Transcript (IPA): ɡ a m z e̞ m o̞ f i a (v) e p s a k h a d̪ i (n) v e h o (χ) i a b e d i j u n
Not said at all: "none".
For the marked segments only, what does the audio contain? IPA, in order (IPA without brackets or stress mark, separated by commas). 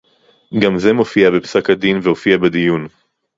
b, n, f